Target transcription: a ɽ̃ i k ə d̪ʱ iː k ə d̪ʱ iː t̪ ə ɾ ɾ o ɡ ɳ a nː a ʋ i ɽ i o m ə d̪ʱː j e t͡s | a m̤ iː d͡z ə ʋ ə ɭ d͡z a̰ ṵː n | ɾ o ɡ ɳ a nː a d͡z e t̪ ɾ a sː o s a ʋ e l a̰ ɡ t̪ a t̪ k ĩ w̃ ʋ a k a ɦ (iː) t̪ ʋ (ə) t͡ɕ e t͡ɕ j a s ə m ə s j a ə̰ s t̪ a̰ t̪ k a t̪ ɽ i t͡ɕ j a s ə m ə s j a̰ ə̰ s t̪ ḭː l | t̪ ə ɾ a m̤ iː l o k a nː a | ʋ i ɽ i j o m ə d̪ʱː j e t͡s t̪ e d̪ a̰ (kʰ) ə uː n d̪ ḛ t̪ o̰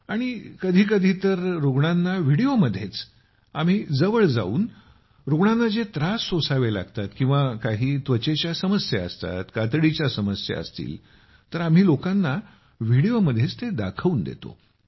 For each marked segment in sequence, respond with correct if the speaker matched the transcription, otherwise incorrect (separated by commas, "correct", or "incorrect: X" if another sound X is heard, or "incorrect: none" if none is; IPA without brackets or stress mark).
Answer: correct, correct, correct